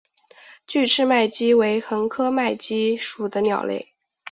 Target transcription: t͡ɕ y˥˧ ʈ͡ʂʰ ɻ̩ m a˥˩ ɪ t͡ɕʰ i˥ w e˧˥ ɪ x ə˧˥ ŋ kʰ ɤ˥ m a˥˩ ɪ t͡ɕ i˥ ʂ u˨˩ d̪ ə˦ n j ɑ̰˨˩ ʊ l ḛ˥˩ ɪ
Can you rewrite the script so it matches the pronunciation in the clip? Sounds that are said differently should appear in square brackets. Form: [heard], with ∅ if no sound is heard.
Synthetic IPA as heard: t͡ɕ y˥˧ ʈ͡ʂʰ ɻ̩ m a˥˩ ɪ [t͡ɕ] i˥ w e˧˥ ɪ x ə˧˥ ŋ kʰ ɤ˥ m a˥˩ ɪ t͡ɕ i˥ ʂ u˨˩ d̪ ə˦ n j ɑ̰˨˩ ʊ l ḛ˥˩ ɪ